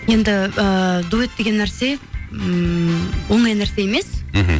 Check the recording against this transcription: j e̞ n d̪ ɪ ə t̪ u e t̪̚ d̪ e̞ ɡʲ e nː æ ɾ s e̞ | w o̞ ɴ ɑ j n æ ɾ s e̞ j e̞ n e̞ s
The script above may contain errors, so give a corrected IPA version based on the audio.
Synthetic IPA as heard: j e̞ n d̪ ɪ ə d̪ u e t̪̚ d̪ e̞ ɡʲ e nː æ ɾ s e̞ | w o̞ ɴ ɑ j n æ ɾ s e̞ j e̞ m e̞ s